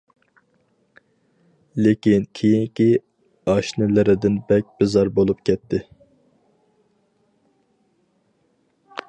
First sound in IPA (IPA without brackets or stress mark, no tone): l